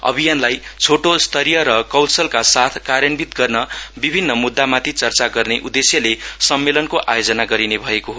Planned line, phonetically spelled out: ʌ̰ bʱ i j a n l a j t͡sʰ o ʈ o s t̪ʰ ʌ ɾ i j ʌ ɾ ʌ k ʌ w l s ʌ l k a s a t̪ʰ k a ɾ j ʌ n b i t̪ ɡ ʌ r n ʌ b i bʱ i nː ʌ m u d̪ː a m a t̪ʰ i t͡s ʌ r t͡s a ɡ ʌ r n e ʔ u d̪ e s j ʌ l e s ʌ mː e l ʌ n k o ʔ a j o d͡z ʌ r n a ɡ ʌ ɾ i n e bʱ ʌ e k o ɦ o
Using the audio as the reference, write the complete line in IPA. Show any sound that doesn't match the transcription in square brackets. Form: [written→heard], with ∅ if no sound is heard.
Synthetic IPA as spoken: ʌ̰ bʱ i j a n l a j t͡sʰ o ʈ o s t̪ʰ ʌ ɾ i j ʌ ɾ ʌ k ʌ w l s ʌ l k a s a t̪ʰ k a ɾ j ʌ n b i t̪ ɡ ʌ r n ʌ b i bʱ i nː ʌ m u d̪ː a m a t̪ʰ i t͡s ʌ r t͡s a ɡ ʌ r n e ʔ u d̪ e s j ʌ l e s ʌ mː e l ʌ n k o ʔ a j o d͡z ʌ [r→∅] n a ɡ ʌ ɾ i n e bʱ ʌ e k o ɦ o